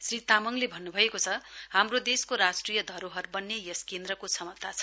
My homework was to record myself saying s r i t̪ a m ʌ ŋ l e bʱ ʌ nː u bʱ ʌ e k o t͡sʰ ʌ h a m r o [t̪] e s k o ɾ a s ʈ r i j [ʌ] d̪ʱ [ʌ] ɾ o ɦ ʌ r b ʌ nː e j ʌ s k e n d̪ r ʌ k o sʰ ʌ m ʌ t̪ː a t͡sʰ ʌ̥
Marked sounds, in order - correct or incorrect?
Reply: incorrect: d̪, correct, correct

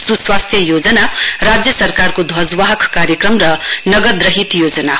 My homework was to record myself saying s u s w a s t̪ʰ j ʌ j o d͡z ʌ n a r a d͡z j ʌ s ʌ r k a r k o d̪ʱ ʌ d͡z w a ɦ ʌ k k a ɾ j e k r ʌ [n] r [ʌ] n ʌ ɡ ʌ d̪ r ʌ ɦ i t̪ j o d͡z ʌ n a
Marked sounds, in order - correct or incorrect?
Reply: incorrect: m, correct

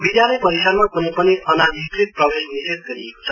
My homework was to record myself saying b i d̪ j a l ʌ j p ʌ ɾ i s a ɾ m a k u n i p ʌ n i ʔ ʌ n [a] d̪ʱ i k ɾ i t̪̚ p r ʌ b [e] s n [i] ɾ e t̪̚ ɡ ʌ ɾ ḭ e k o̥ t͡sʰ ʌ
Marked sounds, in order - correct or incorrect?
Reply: correct, correct, correct

